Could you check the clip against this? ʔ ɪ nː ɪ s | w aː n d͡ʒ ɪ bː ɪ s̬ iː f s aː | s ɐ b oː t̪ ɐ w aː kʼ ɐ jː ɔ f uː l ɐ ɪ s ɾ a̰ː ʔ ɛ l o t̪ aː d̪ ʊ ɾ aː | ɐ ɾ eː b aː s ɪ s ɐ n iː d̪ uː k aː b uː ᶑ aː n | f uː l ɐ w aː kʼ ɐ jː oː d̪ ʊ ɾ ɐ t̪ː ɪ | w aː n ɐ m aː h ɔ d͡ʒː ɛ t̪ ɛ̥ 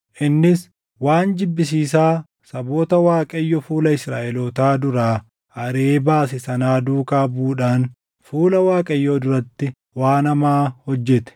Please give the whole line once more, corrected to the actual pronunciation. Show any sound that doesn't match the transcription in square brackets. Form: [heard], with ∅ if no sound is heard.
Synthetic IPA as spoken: ʔ ɪ nː ɪ s | w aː n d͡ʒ ɪ bː ɪ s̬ iː [∅] s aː | s ɐ b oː t̪ ɐ w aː kʼ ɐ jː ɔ f uː l ɐ ɪ s ɾ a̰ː ʔ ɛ l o t̪ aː d̪ ʊ ɾ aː | ɐ ɾ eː b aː s ɪ s ɐ n [aː] d̪ uː k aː b uː ᶑ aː n | f uː l ɐ w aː kʼ ɐ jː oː d̪ ʊ ɾ ɐ t̪ː ɪ | w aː n ɐ m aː h ɔ d͡ʒː ɛ t̪ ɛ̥